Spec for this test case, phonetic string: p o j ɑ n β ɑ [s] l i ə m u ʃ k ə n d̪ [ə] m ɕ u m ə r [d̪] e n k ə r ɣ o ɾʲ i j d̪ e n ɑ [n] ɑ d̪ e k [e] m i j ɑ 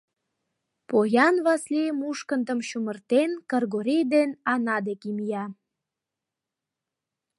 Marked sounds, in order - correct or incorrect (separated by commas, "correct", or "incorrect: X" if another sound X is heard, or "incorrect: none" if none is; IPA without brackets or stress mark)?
correct, correct, incorrect: t̪, correct, incorrect: i